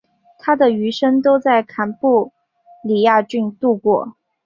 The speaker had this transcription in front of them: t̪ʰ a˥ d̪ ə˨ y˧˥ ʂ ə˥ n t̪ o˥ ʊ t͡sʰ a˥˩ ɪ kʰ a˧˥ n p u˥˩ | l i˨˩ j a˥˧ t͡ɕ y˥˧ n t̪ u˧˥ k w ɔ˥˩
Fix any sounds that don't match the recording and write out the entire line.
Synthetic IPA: t̪ʰ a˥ d̪ ə˨ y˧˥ ʂ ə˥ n t̪ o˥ ʊ t͡s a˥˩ ɪ kʰ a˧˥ n p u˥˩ | l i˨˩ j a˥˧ t͡ɕ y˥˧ n t̪ u˥˧ k w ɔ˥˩